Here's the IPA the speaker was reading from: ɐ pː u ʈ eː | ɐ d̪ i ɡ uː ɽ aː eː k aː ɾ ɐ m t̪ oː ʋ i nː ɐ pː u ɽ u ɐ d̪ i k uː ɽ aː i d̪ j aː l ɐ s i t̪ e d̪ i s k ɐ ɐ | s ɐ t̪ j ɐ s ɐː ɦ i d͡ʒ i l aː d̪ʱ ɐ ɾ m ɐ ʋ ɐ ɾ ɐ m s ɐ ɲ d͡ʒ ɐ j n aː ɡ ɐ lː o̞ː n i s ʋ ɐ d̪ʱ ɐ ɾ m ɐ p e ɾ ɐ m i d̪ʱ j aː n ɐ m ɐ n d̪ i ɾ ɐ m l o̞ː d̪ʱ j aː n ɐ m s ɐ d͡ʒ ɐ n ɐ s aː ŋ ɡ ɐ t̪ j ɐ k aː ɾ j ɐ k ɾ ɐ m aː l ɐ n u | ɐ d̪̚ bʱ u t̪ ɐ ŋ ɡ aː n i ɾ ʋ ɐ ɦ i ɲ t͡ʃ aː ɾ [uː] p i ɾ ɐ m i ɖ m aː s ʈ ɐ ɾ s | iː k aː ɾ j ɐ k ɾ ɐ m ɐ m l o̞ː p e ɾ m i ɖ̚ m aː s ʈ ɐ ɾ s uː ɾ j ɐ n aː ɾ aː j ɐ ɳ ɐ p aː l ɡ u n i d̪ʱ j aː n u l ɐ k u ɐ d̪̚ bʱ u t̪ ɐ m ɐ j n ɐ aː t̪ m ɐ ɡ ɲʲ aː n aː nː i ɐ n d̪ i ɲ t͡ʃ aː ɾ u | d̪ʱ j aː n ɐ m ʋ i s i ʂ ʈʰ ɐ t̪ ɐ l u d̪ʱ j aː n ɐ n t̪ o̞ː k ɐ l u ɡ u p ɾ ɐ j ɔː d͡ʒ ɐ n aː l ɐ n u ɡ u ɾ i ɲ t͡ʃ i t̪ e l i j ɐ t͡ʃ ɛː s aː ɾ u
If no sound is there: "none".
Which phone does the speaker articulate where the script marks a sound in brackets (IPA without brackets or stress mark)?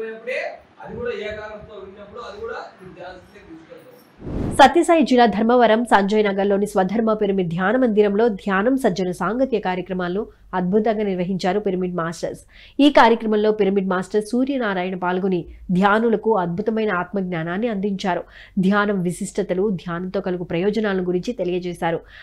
u